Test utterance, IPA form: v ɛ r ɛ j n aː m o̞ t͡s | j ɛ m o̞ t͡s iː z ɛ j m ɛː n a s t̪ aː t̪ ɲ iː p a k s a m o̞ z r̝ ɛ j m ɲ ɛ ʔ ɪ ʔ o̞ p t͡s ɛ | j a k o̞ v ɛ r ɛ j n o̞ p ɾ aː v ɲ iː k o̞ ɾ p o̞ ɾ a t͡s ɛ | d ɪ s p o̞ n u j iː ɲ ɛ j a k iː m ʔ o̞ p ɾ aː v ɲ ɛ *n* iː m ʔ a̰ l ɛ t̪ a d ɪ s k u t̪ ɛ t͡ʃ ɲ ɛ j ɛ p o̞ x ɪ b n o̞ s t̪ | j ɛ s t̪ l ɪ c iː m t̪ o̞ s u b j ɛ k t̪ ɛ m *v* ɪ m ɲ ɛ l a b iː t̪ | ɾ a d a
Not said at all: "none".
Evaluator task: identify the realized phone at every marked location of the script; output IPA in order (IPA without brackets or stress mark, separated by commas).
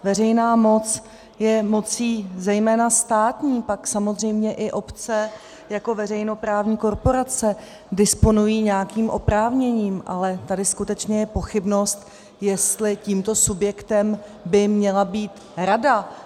ɲ, b